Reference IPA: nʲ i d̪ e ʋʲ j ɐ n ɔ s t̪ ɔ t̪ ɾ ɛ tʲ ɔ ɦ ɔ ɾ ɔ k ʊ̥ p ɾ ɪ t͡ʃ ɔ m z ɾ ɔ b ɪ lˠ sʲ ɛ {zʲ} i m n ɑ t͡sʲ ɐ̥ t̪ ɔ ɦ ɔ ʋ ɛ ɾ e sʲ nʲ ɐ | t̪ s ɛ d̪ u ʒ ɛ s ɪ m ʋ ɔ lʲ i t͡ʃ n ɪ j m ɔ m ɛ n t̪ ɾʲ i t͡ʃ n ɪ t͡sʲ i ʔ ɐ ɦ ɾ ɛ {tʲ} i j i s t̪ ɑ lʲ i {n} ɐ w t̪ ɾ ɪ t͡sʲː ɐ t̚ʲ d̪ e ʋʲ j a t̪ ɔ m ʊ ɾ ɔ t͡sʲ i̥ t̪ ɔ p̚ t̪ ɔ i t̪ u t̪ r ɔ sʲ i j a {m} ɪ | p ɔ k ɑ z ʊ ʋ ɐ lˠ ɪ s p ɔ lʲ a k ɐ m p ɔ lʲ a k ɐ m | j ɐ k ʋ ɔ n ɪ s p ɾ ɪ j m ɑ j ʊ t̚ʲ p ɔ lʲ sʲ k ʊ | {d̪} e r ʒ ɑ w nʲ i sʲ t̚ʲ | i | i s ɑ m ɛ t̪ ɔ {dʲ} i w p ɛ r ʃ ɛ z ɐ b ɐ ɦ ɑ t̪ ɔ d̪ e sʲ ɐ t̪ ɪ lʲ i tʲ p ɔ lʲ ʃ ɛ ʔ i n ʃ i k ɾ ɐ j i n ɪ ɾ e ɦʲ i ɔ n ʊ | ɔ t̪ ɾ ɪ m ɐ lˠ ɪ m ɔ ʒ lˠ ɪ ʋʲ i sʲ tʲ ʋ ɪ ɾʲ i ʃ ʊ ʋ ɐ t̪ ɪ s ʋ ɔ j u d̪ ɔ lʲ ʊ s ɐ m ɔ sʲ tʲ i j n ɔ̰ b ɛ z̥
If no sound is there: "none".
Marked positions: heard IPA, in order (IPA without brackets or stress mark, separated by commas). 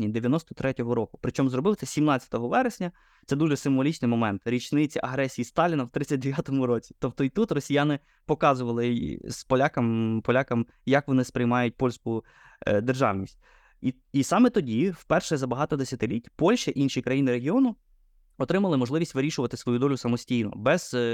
sʲ, sʲ, n, n, d̪, dʲ